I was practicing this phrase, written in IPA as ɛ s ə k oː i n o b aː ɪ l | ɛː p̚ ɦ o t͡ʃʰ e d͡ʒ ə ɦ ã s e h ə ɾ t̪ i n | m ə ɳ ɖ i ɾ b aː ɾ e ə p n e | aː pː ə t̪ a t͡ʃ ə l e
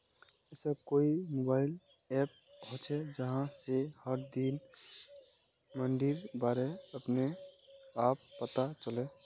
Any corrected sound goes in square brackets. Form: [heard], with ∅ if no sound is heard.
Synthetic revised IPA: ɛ s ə k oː i [m] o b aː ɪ l | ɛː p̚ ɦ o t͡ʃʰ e d͡ʒ ə ɦ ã s e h ə ɾ [d̪] i n | m ə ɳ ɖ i ɾ b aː ɾ e ə p n e | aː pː ə t̪ a t͡ʃ ə l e